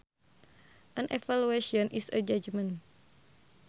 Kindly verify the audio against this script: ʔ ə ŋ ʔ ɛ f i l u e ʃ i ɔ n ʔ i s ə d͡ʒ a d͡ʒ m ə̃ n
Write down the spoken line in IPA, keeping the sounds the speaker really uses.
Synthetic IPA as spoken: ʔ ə n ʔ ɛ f a l u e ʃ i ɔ n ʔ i s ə d͡ʒ a d͡ʒ m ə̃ n